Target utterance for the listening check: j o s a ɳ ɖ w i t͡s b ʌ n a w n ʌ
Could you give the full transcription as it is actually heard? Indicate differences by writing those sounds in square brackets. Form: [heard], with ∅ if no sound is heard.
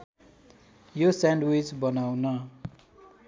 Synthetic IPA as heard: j o s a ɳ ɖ w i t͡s b ʌ n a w n ʌ